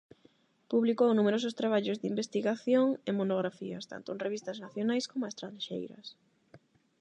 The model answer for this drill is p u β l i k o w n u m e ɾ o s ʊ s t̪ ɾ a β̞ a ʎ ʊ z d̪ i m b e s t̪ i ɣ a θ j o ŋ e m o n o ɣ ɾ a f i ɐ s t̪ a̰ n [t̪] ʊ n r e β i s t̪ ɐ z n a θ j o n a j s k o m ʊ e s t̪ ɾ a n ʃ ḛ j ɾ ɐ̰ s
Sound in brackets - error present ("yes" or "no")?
no